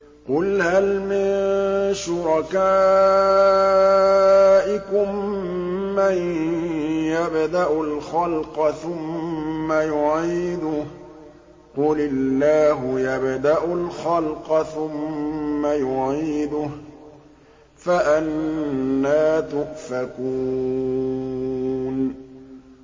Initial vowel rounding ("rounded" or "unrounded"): rounded